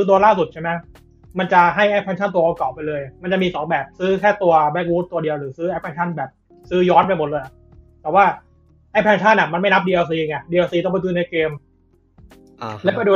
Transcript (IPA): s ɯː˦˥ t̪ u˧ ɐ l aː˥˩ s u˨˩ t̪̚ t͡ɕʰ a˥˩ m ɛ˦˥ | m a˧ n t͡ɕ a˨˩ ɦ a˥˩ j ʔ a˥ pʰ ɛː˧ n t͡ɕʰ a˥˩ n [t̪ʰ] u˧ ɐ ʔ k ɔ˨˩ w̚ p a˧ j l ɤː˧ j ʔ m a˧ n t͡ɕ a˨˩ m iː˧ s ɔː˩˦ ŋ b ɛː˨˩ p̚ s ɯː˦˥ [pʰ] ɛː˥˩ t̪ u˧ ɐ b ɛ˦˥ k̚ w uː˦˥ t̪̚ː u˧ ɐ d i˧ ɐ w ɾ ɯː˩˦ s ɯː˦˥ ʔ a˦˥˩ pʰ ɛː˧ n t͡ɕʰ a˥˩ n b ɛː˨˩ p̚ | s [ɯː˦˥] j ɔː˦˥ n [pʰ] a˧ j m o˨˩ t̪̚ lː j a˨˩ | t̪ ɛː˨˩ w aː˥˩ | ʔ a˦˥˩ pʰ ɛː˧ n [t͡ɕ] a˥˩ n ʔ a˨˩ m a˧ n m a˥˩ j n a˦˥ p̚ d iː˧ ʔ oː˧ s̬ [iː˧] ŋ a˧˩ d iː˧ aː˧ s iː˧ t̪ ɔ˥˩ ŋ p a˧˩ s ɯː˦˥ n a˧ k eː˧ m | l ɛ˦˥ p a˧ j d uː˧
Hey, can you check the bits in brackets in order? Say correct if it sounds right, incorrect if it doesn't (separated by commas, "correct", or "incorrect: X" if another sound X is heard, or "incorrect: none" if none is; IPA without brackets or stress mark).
incorrect: t̪, incorrect: kʰ, correct, incorrect: p, incorrect: t͡ɕʰ, correct